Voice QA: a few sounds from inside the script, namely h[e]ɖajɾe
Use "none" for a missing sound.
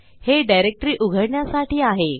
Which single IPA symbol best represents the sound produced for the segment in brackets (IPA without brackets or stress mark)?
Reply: e